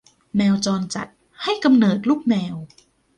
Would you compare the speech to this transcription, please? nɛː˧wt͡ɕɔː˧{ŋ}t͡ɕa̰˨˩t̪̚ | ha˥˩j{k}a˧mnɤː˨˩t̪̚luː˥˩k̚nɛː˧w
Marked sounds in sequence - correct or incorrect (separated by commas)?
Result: incorrect, correct